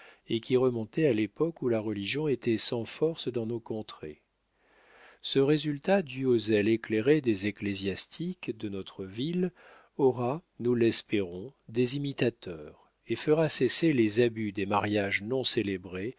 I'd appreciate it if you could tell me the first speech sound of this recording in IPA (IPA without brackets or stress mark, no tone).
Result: e